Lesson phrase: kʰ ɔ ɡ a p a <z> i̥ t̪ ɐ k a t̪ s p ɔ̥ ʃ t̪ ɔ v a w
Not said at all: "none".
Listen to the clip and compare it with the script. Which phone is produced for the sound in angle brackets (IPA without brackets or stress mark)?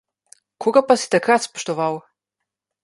s